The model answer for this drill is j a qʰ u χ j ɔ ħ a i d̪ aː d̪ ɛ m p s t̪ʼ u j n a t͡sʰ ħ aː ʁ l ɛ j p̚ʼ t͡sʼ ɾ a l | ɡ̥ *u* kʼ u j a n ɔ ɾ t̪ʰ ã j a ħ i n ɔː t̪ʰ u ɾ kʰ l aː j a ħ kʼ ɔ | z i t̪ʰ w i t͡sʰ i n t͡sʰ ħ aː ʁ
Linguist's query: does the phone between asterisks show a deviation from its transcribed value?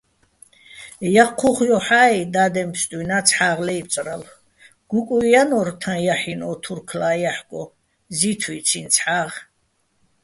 no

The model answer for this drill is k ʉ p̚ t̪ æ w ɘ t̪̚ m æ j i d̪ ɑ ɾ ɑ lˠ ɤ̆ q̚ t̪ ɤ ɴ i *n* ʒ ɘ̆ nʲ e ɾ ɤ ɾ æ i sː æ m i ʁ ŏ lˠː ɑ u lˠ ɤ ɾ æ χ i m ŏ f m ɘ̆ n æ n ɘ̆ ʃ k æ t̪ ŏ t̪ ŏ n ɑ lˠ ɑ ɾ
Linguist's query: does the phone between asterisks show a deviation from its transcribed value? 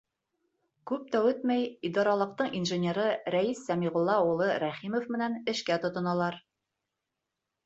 no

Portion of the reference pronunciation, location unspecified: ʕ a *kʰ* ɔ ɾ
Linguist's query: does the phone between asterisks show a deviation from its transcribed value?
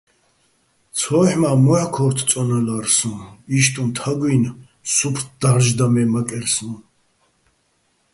no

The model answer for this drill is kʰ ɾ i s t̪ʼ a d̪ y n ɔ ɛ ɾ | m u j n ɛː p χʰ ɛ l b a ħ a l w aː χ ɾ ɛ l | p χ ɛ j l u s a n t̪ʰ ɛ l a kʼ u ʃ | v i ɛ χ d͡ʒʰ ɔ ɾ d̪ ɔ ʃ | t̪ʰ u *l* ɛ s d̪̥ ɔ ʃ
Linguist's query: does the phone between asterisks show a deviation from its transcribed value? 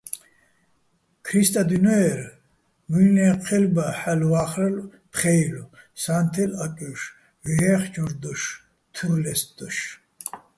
no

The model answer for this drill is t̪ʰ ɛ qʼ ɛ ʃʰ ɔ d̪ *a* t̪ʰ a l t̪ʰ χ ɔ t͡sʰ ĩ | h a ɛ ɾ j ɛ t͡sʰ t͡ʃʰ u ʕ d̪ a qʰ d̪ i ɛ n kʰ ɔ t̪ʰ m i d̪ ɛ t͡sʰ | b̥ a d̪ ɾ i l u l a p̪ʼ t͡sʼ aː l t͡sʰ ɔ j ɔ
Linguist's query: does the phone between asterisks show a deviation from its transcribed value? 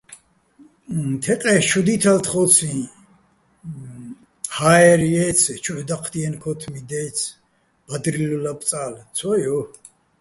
yes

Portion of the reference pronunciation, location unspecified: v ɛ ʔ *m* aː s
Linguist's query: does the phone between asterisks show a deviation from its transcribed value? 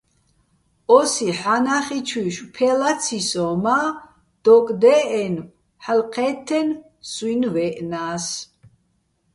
yes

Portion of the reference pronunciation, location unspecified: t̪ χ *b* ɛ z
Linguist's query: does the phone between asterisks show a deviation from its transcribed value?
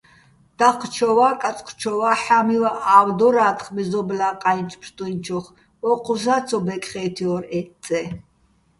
yes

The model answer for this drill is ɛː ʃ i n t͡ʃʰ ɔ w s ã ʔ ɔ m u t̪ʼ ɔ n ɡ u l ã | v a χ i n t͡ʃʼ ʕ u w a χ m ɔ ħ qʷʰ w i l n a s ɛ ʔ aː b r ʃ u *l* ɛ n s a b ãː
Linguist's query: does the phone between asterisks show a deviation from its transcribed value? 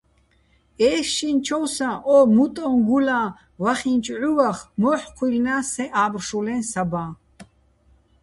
no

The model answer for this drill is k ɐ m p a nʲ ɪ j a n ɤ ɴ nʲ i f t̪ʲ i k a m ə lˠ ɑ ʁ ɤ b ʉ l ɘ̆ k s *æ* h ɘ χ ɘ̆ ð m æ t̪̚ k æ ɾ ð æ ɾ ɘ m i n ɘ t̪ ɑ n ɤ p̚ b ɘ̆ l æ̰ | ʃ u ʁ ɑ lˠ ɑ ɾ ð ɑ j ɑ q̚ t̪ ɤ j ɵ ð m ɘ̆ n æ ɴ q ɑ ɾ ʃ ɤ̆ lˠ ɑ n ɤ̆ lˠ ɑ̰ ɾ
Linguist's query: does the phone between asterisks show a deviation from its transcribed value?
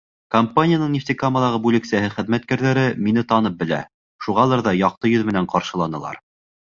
no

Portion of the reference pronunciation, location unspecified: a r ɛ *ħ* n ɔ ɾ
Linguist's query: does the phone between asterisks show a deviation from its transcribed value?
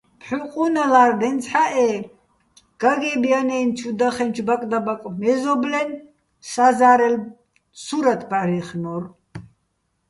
yes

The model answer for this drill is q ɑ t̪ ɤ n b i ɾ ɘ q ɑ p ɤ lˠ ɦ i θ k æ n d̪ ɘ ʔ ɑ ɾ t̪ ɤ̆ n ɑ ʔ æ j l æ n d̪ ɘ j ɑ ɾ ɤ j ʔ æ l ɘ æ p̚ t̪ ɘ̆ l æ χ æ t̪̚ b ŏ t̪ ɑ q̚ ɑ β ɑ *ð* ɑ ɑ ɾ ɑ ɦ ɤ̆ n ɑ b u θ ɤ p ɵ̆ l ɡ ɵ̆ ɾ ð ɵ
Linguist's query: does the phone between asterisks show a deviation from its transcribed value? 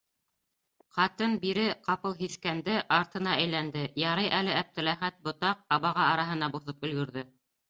yes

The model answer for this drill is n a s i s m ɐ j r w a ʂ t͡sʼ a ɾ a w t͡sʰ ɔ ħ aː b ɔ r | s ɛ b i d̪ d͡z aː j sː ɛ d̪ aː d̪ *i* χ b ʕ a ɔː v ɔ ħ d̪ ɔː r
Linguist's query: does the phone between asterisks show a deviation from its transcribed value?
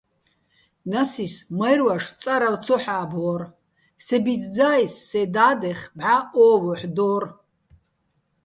yes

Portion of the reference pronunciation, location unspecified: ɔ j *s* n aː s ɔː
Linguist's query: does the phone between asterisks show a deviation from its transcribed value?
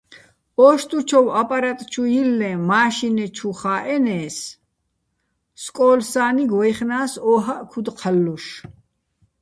yes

